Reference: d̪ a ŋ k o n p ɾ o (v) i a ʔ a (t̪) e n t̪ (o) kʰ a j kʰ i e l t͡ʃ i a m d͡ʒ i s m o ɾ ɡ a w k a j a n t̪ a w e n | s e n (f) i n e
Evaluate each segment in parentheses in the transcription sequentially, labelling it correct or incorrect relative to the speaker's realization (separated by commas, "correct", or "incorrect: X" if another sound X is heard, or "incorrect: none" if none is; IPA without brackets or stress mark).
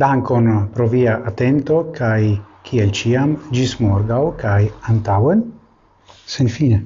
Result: correct, correct, correct, correct